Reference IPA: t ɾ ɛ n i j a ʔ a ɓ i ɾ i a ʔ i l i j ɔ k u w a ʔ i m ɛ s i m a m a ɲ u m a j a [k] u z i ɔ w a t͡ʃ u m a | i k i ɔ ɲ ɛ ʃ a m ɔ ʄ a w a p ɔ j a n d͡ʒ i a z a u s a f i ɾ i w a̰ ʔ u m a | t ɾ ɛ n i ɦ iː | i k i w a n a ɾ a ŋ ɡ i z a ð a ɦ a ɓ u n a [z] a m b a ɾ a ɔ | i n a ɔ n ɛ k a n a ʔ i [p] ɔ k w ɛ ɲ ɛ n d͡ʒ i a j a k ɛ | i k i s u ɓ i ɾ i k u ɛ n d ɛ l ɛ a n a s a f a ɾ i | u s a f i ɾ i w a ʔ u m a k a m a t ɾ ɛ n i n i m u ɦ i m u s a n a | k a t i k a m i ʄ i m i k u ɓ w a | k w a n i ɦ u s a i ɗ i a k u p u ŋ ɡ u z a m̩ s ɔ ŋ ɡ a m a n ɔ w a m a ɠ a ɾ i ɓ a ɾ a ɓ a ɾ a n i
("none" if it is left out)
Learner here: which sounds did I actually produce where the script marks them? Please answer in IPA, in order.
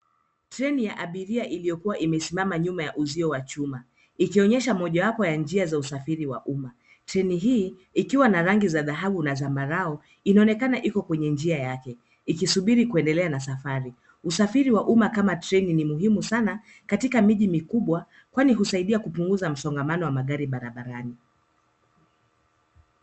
ʔ, z, k

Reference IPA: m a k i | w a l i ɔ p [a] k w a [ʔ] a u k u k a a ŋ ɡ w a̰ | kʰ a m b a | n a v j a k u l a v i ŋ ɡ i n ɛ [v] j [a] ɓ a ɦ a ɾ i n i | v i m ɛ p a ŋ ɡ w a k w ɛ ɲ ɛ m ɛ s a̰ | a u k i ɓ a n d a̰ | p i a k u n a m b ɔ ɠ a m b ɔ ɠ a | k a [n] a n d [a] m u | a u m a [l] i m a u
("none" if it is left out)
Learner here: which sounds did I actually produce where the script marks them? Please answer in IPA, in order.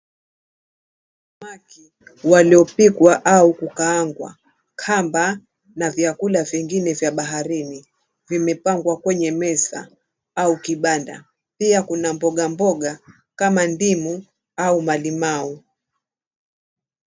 i, ʔ, v, a, m, i, l

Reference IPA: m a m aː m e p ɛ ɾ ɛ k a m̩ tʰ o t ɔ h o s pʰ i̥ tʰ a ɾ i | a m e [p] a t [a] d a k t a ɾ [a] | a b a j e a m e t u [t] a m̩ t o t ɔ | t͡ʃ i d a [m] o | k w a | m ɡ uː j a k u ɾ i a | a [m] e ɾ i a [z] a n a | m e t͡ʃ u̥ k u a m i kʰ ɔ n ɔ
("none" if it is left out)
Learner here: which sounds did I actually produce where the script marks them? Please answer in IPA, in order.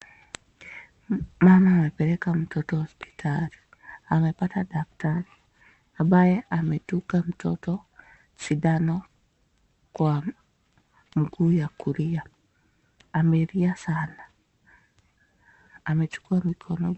p, a, i, k, n, m, s

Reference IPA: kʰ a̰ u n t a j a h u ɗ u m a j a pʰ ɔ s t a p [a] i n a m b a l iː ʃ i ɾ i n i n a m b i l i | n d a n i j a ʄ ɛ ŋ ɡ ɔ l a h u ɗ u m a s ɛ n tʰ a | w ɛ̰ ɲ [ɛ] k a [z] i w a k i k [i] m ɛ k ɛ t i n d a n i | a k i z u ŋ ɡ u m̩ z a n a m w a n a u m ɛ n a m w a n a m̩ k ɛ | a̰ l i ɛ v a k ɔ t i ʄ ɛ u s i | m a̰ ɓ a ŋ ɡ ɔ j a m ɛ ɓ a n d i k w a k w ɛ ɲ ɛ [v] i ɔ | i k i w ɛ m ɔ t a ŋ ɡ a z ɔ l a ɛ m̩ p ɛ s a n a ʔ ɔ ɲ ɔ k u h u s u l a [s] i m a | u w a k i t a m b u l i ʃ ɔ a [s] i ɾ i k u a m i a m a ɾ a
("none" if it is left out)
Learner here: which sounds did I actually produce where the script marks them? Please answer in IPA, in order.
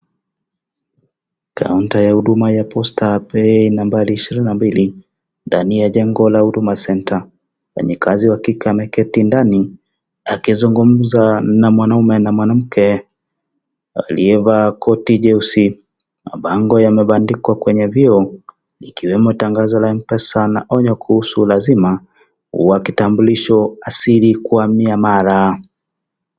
ɛ, ɛ, z, a, v, z, s

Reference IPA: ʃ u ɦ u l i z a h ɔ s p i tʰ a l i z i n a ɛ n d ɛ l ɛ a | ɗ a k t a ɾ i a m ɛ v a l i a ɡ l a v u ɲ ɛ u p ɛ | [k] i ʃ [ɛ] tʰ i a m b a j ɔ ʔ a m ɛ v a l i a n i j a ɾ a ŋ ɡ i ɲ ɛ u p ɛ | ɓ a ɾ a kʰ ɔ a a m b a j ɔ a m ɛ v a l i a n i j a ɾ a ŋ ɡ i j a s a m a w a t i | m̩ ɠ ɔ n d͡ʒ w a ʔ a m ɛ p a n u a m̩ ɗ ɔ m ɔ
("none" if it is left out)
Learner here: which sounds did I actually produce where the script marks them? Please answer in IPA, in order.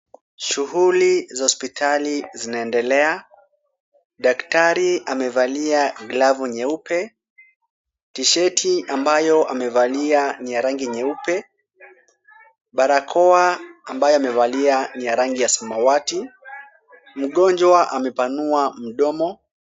t, ɛ

